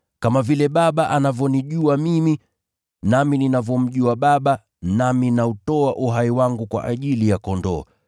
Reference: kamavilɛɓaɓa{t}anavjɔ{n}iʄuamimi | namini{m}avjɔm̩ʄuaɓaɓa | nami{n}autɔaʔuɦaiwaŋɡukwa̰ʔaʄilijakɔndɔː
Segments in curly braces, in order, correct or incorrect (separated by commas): incorrect, correct, incorrect, correct